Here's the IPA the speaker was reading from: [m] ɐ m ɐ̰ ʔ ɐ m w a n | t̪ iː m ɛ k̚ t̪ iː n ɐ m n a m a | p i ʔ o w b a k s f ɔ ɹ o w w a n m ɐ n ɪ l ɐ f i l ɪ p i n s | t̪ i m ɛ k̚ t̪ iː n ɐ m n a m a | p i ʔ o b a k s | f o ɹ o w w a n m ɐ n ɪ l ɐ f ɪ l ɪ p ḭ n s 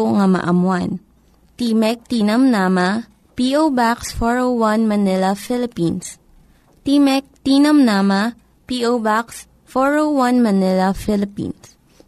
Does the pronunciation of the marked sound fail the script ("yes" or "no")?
yes